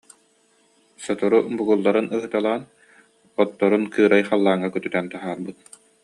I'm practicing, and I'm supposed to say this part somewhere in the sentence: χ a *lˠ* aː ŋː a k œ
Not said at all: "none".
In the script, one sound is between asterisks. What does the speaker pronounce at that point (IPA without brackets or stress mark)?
lˠː